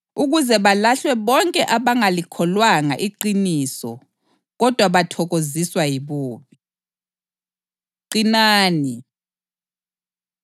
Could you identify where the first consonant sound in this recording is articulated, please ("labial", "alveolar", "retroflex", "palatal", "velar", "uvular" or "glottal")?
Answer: velar